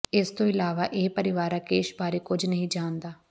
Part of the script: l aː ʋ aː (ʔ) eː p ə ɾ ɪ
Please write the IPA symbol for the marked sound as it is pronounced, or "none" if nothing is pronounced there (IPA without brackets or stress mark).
ʔ